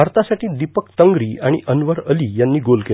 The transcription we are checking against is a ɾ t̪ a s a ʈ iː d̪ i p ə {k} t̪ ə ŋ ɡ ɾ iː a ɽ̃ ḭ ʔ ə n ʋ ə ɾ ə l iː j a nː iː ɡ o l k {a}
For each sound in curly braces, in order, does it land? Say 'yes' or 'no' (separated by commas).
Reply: yes, no